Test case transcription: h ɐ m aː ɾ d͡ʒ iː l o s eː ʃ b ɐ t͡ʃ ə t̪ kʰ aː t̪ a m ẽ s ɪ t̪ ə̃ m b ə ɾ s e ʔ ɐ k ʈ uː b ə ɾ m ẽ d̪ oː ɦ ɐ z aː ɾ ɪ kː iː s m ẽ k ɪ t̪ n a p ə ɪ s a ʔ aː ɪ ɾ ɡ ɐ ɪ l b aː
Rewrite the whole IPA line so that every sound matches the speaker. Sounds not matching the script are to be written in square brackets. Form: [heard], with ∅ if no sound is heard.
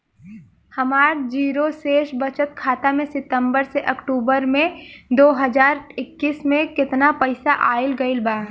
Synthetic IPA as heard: h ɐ m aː ɾ d͡ʒ iː [ɾ] o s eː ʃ b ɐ t͡ʃ ə t̪ kʰ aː t̪ a m ẽ s ɪ t̪ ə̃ m b ə ɾ s e ʔ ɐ k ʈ uː b ə ɾ m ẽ d̪ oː ɦ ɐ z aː ɾ ɪ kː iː s m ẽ k ɪ t̪ n a p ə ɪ s a ʔ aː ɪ [l] ɡ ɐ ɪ l b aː